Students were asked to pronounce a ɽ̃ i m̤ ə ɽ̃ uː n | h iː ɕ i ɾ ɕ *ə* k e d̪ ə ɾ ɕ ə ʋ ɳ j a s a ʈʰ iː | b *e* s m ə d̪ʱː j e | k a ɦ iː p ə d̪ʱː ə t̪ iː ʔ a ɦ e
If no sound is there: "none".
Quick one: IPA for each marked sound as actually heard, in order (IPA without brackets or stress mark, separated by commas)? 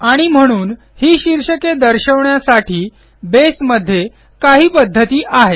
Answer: ə, e